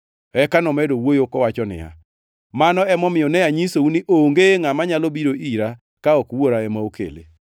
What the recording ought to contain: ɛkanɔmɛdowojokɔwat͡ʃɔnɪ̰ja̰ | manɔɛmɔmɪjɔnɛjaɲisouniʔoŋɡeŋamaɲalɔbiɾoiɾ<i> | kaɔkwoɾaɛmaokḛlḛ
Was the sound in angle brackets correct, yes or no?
no